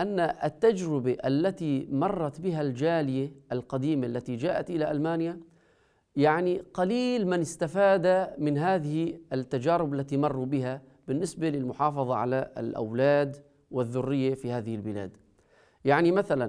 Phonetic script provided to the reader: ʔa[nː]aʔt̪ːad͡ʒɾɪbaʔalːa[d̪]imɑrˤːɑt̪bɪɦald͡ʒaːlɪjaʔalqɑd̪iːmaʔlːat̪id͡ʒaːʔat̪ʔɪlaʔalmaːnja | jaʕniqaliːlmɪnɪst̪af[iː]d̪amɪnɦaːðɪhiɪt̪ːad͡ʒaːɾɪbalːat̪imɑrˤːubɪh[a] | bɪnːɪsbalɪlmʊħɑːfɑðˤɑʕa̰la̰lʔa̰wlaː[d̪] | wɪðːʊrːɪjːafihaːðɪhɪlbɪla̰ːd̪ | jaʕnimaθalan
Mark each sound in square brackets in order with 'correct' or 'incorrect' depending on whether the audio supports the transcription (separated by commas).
correct, incorrect, incorrect, correct, correct